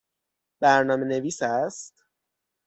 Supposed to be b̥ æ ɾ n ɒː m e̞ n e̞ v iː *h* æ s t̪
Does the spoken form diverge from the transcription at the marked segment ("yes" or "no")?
yes